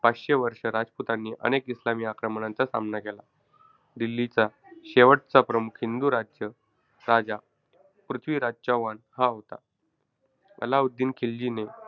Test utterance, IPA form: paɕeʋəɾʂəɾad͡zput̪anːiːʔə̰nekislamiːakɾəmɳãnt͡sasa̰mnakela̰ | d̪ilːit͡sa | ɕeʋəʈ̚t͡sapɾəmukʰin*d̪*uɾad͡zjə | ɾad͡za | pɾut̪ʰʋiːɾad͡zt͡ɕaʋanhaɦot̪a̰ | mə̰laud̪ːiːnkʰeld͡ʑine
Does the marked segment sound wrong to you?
no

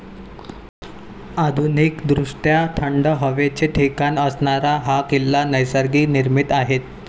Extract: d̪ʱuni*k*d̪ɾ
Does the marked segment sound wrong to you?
no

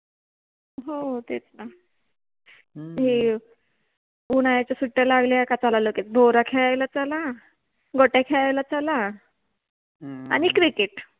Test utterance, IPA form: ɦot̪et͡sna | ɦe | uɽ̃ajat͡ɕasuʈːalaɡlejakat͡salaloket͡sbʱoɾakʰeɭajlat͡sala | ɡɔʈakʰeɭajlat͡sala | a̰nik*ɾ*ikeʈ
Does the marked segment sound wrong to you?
no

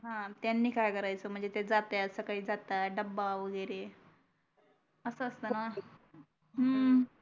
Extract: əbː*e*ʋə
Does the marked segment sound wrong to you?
yes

